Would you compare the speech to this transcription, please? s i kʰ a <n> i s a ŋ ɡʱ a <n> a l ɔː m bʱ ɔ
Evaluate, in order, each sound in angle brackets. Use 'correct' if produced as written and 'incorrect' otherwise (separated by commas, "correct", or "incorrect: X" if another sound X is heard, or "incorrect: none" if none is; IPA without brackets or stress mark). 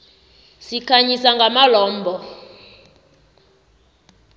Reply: incorrect: ɲ, incorrect: m